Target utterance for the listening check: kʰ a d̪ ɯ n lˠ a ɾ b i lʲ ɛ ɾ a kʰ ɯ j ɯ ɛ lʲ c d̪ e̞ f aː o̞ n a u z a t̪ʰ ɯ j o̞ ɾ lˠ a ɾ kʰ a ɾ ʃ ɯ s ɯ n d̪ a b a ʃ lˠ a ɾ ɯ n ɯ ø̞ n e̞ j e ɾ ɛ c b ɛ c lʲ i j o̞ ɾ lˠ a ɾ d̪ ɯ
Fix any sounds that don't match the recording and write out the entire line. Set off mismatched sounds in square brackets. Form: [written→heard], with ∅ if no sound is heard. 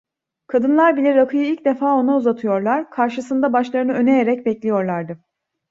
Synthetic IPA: kʰ a d̪ ɯ n lˠ a ɾ b i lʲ ɛ ɾ a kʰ ɯ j ɯ [ɛ→i] lʲ c d̪ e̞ f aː o̞ n a u z a t̪ʰ ɯ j o̞ ɾ lˠ a ɾ kʰ a ɾ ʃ ɯ s ɯ n d̪ a b a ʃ lˠ a ɾ ɯ n ɯ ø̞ n e̞ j e ɾ ɛ c b ɛ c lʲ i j o̞ ɾ lˠ a ɾ d̪ ɯ